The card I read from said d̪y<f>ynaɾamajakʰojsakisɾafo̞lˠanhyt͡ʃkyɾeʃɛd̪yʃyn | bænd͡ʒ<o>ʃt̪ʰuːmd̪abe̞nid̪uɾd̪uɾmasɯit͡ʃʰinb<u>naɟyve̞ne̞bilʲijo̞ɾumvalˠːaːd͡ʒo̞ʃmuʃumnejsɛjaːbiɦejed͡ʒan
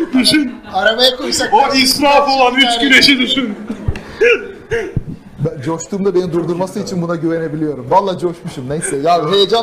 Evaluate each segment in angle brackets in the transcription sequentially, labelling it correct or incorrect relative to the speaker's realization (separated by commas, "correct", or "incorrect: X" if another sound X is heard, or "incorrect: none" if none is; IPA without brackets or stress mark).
incorrect: ʃ, correct, correct